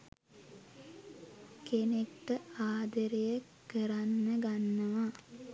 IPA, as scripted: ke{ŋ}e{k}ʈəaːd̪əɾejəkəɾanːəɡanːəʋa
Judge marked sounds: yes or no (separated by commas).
no, yes